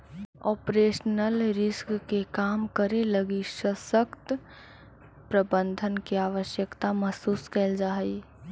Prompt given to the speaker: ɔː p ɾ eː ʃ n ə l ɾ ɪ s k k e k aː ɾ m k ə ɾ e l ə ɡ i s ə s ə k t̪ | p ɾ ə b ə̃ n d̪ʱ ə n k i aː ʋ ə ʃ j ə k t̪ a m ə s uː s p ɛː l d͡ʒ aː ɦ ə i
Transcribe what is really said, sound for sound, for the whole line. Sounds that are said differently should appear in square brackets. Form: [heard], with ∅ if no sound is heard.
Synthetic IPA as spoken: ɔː p ɾ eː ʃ n ə l ɾ ɪ s k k e k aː [∅] m k ə ɾ e l ə ɡ i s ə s ə k t̪ | p ɾ ə b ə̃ n d̪ʱ ə n k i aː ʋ ə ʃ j ə k t̪ a m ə s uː s [k] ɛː l d͡ʒ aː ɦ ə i